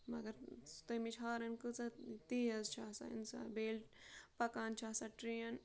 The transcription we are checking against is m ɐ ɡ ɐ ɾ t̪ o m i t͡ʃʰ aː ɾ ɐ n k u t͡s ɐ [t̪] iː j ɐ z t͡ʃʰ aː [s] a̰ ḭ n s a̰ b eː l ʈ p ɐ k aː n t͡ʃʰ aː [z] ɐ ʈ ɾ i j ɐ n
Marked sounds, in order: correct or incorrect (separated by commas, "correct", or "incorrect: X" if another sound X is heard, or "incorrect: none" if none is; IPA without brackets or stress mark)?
correct, correct, incorrect: s